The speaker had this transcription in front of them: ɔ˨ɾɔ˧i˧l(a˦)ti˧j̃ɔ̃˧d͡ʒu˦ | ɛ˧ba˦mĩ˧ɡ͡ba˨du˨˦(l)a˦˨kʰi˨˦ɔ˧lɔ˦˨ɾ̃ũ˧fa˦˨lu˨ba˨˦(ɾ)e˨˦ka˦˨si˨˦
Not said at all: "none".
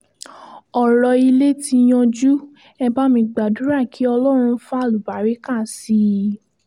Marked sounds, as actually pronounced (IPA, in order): e˦, ɾ, ɾ

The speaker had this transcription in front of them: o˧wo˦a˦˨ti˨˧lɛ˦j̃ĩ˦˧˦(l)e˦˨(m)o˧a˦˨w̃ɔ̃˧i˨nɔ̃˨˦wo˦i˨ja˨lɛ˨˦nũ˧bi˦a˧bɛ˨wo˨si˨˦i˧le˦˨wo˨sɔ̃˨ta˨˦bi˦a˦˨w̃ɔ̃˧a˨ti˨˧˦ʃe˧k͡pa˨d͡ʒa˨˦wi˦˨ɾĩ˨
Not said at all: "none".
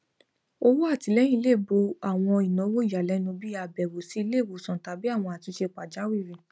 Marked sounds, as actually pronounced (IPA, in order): l, b

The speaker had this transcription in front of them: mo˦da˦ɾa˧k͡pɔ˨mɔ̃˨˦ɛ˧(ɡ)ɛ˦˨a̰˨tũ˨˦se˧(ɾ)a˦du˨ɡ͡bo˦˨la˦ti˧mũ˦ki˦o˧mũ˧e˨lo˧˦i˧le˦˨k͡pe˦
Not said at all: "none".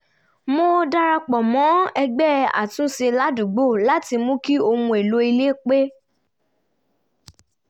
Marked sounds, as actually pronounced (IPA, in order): ɡ͡b, l

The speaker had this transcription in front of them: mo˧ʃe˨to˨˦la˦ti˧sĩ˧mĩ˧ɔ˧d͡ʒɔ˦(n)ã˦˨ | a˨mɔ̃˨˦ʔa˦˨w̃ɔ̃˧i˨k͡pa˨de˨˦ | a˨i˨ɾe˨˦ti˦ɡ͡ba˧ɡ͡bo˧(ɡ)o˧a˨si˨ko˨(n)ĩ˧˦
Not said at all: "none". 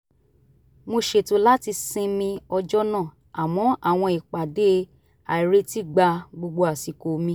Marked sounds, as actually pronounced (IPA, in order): n, ɡ͡b, m

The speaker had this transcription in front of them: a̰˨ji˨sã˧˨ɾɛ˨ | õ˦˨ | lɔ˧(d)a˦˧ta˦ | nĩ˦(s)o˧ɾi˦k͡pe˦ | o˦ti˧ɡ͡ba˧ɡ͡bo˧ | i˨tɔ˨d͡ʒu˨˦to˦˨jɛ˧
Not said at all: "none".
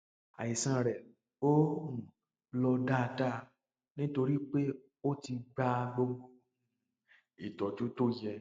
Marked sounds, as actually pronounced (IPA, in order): d, t

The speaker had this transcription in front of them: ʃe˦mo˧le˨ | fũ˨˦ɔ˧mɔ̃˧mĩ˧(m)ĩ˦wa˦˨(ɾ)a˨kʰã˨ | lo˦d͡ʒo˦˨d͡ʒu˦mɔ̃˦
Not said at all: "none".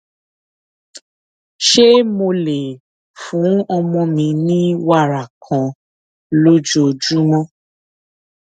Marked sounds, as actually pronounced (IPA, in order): n, ɾ

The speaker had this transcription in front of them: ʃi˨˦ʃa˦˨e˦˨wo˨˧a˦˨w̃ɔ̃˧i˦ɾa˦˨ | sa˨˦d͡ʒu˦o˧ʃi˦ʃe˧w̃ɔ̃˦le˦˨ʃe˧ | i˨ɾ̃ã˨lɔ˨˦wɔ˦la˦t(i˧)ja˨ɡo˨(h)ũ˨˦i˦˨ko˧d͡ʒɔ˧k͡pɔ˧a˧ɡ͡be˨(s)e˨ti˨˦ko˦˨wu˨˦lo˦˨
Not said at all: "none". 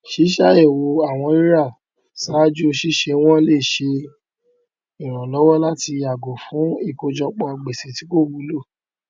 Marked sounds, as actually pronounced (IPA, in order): i˧, f, s

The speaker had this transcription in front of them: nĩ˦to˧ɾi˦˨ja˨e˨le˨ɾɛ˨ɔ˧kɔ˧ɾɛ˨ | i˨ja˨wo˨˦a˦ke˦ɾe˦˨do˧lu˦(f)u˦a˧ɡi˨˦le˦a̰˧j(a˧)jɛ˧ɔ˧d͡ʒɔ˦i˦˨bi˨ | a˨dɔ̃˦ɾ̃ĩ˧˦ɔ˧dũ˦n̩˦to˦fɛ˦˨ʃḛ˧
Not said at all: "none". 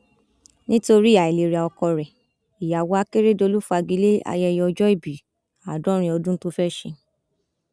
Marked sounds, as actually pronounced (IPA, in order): f, ɛ˧

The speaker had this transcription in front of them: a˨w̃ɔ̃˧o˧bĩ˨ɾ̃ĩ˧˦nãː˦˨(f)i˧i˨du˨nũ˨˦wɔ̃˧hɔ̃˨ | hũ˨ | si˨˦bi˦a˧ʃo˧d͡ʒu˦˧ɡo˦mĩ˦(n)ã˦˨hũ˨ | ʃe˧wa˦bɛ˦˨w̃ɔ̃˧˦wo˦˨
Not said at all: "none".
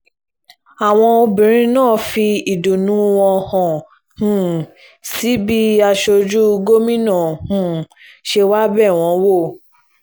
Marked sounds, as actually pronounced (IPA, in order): f, n

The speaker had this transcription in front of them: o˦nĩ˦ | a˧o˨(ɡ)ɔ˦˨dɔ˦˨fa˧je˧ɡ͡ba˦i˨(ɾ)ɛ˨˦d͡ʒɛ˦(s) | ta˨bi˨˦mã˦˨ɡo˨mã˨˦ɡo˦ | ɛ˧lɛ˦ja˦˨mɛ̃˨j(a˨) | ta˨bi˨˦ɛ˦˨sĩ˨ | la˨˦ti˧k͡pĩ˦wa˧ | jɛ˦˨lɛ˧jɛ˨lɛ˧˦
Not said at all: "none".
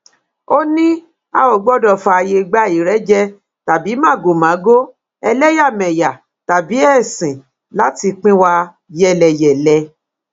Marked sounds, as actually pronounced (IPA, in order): ɡ͡b, ɾ, none, a˨

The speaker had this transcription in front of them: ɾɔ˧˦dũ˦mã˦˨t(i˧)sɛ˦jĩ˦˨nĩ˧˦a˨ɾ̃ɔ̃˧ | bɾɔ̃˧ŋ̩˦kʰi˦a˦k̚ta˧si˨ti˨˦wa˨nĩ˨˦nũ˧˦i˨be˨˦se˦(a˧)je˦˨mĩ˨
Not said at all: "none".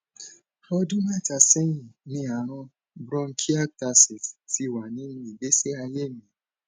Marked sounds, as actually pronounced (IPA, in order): a˧, a˧

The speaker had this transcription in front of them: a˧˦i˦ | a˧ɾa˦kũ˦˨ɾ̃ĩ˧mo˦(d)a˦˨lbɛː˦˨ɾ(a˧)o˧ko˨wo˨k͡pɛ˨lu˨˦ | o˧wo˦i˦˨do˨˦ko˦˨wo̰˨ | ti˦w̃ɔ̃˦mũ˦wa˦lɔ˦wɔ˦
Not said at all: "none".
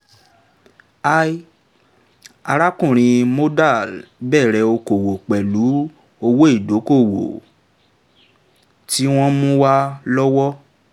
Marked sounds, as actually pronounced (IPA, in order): d, ɛ˧

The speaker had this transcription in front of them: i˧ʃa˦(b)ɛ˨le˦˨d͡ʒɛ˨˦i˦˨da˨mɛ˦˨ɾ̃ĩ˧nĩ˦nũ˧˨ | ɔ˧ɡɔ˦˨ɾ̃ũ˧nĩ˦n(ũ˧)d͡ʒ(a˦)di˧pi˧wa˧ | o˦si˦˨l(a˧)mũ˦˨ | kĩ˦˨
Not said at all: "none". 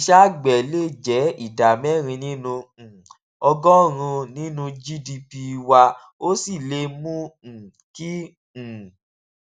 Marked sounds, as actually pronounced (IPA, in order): ɡ͡b, ũ˧, i˦, e˧

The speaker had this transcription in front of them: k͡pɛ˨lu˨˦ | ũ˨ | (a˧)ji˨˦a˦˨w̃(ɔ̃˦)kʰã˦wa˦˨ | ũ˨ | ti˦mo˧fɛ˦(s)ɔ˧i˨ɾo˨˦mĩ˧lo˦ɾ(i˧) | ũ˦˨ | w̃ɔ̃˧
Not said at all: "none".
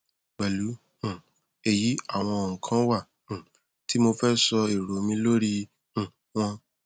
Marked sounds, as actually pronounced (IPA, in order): e˧, ɔ̃˧˨, s, i˧

